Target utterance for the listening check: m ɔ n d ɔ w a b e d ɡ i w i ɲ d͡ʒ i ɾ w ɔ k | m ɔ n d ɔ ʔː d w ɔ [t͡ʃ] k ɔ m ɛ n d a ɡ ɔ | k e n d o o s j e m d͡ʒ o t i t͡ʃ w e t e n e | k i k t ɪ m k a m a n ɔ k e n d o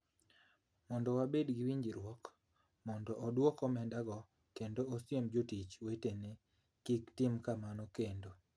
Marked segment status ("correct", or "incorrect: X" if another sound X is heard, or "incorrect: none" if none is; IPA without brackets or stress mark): incorrect: none